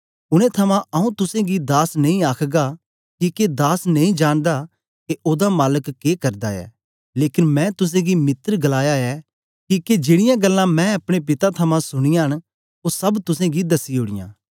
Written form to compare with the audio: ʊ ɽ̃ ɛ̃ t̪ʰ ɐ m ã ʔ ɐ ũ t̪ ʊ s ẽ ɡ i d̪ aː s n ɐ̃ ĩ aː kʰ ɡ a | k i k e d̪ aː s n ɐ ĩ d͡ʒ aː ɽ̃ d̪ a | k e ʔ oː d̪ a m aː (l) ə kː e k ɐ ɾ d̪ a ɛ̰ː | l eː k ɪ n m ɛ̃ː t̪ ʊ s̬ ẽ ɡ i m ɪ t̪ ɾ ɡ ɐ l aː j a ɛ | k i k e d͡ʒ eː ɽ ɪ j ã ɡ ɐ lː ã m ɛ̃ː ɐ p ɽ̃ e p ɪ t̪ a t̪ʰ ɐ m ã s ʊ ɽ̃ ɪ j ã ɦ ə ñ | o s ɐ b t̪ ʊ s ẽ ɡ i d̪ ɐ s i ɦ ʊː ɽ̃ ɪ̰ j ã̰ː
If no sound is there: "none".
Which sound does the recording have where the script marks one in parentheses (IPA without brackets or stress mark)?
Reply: l